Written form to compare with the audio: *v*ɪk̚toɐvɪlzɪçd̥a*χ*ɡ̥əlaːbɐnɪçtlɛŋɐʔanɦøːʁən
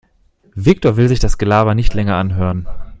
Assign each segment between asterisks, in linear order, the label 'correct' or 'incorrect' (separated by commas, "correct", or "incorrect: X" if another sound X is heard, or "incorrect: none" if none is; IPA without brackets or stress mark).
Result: correct, incorrect: s